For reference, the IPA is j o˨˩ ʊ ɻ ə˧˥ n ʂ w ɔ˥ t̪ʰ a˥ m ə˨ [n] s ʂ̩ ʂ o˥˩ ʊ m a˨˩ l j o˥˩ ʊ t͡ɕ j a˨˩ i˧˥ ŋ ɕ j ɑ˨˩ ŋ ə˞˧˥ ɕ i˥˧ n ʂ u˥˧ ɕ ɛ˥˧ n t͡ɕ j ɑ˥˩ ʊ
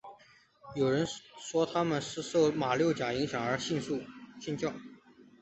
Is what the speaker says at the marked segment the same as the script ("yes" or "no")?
yes